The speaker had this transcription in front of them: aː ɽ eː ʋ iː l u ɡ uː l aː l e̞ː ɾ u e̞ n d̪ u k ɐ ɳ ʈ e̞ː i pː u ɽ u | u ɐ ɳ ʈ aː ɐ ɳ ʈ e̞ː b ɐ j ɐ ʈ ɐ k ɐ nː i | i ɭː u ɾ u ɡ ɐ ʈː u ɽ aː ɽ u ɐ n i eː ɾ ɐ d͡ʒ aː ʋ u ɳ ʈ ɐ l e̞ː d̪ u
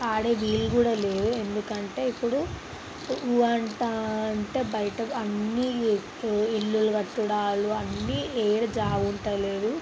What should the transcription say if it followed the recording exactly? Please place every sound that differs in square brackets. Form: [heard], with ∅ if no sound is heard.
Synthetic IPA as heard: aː ɽ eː ʋ iː l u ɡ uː [ɽ] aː l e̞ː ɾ u e̞ n d̪ u k ɐ ɳ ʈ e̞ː i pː u ɽ u | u ɐ ɳ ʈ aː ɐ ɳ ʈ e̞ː b ɐ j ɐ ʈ ɐ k ɐ nː i | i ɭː u [l] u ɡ ɐ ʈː u ɽ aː [l] u ɐ [nː] i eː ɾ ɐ d͡ʒ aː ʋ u ɳ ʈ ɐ l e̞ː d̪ u